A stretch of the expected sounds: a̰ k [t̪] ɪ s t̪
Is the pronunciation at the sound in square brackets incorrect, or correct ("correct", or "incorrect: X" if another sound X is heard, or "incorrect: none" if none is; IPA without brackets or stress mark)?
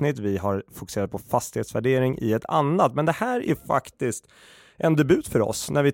correct